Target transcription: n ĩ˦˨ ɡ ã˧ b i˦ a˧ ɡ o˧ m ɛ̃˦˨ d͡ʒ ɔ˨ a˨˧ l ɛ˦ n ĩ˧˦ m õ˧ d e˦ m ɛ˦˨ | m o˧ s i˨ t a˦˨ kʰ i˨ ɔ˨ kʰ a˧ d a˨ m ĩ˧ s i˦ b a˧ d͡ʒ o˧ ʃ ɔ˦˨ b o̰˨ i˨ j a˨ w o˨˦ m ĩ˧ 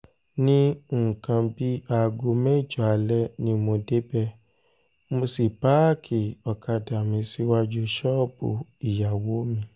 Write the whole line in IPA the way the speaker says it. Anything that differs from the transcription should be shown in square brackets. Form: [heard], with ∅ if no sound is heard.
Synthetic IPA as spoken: n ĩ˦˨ [k] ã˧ b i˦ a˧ ɡ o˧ m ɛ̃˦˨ d͡ʒ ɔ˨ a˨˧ l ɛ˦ n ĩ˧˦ m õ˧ d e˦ [b] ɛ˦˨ | m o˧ s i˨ [p] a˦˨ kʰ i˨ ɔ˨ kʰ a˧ d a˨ m ĩ˧ s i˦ [w] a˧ d͡ʒ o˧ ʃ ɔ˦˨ b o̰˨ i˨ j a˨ w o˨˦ m ĩ˧